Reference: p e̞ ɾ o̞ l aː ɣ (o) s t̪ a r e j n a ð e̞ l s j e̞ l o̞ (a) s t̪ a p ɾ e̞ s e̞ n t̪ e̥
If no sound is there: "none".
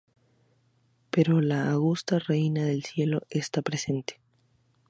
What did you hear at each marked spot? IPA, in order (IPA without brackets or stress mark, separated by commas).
u, e